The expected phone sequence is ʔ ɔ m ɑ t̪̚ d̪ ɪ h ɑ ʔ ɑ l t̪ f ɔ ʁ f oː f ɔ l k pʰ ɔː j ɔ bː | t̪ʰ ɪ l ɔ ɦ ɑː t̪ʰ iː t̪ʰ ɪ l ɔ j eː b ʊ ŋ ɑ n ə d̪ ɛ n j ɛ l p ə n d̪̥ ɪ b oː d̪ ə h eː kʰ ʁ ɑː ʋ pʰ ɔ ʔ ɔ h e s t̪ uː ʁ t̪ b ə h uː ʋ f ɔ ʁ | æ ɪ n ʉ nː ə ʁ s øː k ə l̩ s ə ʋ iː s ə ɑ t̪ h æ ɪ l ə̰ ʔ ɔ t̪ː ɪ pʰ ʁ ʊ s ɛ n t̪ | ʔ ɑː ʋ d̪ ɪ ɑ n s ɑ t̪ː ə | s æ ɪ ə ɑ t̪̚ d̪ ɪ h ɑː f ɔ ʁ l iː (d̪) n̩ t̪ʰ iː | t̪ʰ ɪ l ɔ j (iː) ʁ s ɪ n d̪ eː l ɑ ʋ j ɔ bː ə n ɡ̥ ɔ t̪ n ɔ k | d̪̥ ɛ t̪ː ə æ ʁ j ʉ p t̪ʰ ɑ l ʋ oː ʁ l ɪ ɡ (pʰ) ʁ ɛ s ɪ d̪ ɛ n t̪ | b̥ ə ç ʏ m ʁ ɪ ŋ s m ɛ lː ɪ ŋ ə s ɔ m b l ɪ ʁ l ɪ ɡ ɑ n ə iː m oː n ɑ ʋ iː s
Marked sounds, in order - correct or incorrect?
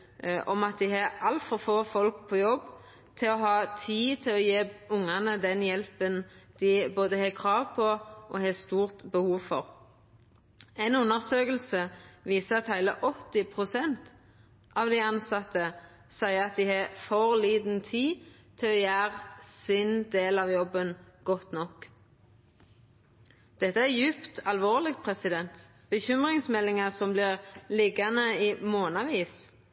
correct, incorrect, correct

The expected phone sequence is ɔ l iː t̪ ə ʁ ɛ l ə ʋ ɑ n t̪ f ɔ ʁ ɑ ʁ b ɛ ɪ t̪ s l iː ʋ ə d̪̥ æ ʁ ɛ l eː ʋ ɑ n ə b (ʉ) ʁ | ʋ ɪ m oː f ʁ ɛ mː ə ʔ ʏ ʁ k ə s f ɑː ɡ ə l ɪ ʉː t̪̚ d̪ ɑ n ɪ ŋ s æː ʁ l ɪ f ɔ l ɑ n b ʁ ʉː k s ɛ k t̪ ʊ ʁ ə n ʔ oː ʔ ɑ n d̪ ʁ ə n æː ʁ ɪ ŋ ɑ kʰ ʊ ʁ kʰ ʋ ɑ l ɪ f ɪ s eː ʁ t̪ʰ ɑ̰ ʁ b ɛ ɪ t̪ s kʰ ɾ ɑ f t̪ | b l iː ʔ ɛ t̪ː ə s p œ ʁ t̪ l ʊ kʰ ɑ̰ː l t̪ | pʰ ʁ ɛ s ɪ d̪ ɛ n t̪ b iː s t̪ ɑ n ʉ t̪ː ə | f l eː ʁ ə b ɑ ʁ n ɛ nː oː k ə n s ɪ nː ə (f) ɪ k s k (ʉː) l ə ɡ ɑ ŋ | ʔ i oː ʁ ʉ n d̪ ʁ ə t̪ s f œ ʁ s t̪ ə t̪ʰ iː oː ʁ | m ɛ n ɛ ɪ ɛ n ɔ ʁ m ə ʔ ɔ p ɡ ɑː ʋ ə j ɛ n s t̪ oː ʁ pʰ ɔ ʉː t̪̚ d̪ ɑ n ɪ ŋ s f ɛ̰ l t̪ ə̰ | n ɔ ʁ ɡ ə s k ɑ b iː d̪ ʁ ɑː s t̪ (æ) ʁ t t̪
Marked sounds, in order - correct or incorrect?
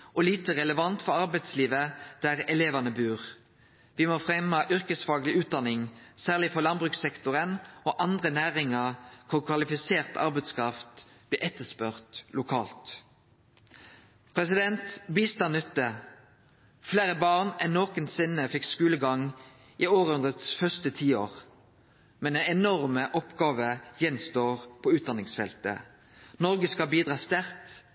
incorrect, correct, correct, correct

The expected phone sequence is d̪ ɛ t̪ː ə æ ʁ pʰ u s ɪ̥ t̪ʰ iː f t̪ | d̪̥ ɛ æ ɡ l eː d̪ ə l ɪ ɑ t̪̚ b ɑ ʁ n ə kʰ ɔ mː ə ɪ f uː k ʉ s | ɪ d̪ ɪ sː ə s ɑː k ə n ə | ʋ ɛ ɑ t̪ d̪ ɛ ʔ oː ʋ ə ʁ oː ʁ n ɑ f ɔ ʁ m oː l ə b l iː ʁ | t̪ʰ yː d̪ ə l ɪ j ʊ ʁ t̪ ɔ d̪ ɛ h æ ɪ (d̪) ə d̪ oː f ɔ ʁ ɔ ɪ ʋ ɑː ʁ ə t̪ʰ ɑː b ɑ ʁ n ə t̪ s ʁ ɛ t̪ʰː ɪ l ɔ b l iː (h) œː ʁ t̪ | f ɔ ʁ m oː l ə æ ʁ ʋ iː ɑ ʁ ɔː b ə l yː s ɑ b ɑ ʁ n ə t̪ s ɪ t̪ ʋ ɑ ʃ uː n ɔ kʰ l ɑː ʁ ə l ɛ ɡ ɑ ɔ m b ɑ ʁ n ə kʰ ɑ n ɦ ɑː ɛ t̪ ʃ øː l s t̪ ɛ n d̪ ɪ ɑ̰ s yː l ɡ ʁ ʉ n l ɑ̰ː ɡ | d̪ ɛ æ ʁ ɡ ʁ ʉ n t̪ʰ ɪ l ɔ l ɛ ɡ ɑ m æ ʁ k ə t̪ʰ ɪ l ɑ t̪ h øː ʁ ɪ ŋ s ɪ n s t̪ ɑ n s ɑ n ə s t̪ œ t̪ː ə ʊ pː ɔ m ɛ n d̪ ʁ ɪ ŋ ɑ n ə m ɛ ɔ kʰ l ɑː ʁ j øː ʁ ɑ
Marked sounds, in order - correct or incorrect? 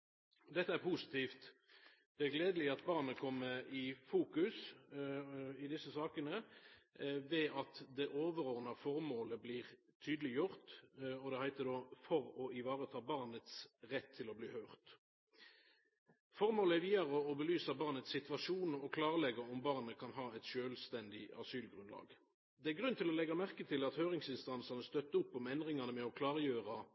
incorrect, correct

